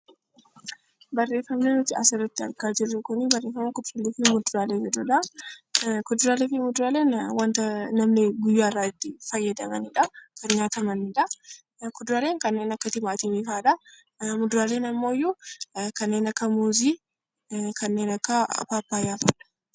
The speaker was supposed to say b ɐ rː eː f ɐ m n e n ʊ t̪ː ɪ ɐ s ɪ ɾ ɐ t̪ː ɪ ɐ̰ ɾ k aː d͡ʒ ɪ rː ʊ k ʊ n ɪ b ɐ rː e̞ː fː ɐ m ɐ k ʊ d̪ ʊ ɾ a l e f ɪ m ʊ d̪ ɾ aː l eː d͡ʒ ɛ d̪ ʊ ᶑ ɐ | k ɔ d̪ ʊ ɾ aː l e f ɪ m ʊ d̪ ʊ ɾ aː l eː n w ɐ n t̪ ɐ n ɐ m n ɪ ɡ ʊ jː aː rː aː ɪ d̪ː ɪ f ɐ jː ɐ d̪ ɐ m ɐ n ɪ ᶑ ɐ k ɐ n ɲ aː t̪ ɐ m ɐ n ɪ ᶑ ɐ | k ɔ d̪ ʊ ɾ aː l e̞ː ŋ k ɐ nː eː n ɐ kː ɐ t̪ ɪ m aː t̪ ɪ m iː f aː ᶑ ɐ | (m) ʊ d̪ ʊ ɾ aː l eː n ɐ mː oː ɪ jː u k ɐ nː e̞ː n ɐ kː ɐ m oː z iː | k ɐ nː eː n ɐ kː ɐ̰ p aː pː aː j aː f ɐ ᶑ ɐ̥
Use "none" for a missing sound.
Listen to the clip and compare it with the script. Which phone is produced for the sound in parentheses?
m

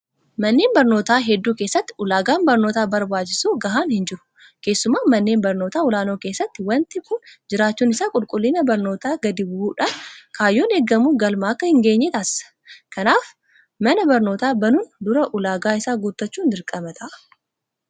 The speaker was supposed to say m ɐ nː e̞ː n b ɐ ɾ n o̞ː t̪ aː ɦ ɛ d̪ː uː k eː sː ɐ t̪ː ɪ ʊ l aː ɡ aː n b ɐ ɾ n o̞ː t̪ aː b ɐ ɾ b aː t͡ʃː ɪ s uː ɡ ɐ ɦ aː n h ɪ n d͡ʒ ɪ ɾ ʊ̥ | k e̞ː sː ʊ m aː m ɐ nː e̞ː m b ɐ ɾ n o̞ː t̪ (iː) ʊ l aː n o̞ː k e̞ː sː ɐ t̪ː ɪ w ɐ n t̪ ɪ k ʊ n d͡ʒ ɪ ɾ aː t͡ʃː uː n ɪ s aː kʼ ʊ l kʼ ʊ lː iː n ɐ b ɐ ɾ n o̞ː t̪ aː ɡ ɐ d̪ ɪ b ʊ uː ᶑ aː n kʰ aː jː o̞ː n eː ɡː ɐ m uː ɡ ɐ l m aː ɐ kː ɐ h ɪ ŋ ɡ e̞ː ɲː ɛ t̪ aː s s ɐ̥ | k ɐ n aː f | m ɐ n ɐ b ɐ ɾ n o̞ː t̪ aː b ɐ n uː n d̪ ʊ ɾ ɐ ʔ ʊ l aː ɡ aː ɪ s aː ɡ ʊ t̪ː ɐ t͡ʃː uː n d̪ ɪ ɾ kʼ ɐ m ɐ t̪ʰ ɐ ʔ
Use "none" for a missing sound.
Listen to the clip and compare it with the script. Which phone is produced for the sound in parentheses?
aː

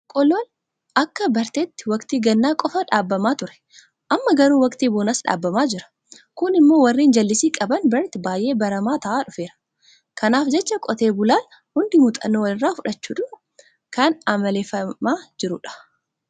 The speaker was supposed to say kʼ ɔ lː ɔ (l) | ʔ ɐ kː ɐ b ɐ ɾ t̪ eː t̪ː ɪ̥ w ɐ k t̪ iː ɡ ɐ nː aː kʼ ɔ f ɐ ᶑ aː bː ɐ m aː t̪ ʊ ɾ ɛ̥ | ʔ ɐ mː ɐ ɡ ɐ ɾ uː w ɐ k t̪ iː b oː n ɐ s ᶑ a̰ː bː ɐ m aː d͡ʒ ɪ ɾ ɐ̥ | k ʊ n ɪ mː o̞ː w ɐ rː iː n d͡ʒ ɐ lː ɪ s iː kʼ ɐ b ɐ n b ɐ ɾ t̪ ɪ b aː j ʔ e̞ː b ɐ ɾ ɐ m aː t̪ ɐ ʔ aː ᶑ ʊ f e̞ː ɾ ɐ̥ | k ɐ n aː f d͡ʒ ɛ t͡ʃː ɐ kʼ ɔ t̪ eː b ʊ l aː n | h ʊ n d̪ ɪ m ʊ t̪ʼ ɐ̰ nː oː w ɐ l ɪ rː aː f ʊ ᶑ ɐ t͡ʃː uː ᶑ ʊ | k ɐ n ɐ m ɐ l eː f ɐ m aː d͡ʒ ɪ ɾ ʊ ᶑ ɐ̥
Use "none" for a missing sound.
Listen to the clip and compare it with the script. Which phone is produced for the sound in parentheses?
l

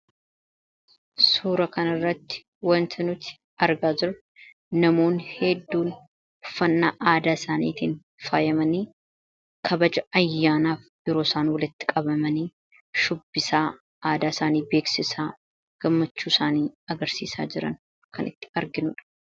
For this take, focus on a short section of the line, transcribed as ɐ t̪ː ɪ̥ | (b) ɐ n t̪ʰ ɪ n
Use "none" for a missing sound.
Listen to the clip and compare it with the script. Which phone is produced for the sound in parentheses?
w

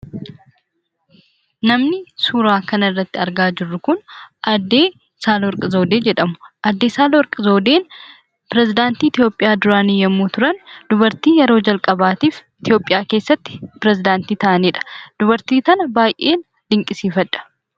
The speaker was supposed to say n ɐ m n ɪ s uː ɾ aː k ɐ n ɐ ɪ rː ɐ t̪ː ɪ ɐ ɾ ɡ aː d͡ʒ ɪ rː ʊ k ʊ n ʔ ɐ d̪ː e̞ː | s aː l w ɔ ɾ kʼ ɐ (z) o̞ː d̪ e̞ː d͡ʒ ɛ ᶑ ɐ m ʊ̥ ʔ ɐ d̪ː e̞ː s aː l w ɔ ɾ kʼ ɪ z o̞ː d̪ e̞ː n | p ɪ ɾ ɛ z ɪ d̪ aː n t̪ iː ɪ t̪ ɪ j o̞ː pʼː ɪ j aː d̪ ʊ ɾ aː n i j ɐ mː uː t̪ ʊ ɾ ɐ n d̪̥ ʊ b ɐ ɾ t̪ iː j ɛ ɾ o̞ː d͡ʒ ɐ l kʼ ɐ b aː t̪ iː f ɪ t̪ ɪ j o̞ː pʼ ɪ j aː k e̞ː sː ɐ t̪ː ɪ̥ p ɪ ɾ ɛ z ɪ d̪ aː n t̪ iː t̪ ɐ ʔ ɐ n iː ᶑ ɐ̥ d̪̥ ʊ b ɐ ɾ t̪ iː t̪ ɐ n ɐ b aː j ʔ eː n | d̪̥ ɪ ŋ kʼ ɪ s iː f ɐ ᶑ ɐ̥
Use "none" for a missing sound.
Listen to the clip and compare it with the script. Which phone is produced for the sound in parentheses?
z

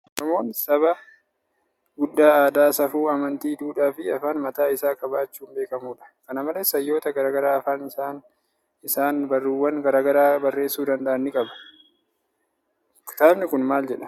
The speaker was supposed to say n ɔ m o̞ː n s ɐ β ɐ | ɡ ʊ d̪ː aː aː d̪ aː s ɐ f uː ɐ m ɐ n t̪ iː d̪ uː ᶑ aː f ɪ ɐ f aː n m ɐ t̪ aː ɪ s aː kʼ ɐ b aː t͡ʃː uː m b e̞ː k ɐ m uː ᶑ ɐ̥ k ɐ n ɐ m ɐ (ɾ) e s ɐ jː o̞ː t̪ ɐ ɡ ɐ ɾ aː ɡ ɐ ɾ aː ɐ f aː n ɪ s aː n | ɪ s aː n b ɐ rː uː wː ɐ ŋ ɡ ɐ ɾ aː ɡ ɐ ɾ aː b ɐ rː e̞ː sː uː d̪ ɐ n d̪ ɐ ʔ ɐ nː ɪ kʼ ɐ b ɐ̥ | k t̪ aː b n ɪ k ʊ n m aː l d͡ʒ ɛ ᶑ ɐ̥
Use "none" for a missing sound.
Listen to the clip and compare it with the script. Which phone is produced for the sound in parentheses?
l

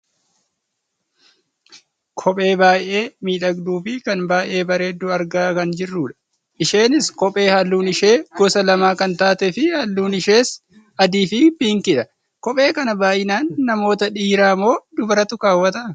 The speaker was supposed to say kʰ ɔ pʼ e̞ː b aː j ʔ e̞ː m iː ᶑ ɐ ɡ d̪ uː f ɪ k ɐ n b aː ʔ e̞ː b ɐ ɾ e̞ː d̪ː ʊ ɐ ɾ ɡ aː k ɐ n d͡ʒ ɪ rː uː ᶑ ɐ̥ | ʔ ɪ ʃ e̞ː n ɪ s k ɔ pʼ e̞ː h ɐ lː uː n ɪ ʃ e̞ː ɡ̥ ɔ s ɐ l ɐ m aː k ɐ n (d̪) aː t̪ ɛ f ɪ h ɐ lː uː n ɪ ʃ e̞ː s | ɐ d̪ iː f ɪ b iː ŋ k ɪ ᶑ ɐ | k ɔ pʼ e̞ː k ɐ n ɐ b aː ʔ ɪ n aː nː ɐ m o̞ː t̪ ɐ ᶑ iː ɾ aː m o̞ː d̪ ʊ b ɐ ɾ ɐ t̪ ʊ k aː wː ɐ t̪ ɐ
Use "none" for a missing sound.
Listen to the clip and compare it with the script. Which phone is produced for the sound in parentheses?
t̪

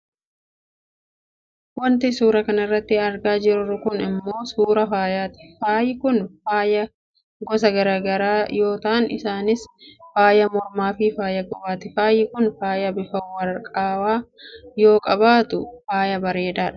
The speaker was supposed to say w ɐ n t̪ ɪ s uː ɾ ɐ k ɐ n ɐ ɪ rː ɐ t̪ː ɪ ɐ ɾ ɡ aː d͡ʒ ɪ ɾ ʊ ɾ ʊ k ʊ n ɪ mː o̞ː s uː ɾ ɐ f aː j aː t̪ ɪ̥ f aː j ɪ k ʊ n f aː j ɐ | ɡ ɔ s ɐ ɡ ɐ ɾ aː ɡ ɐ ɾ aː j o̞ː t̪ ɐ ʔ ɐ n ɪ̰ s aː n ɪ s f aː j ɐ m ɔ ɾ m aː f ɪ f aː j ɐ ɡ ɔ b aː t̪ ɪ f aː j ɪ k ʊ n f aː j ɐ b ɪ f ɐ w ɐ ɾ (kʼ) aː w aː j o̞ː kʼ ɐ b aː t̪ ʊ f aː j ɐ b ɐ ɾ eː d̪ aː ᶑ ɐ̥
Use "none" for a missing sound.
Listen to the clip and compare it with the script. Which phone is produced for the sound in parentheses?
kʼ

